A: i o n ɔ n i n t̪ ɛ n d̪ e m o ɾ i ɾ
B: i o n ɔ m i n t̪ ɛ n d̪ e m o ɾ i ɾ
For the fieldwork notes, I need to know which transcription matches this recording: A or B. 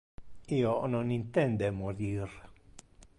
A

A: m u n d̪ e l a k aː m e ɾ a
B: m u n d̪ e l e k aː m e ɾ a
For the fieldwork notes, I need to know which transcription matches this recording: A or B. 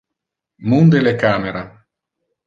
B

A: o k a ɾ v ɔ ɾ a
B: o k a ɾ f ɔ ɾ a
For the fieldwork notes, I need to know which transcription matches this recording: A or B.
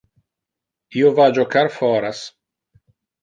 B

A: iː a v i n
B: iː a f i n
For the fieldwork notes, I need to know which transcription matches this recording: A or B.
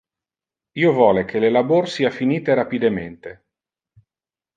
B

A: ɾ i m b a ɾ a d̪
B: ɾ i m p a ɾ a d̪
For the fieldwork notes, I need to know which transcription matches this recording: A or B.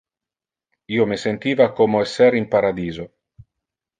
B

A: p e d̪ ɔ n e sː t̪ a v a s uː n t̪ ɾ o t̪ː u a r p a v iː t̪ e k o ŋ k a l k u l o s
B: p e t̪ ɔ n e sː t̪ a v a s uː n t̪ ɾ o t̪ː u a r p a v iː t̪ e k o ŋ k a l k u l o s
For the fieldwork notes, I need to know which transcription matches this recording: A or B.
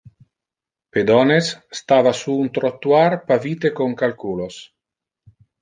A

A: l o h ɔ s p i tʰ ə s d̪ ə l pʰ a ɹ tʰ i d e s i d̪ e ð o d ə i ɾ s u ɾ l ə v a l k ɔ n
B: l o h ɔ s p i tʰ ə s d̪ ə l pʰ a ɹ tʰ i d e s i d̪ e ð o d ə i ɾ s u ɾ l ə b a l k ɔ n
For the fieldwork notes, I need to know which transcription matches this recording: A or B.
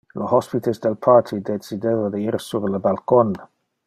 B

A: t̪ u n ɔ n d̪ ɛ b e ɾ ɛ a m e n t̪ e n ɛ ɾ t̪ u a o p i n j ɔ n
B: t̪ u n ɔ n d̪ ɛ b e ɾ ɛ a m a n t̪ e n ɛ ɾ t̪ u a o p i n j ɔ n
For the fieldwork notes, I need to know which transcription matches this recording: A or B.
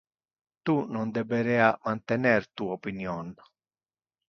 B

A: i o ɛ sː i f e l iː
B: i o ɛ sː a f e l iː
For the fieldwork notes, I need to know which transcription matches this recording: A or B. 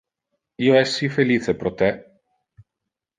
A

